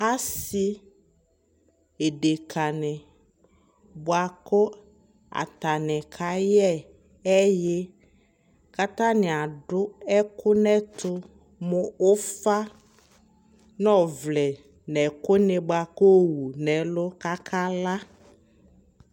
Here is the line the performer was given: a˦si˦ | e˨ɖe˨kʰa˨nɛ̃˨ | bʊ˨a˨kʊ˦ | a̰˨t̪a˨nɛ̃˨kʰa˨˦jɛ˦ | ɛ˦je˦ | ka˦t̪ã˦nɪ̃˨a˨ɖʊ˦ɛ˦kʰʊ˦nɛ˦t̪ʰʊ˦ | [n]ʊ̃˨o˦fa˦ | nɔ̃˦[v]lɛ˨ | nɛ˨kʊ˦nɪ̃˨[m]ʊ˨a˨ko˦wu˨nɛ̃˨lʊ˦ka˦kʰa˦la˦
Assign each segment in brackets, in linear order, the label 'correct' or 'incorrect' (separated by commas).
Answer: incorrect, correct, incorrect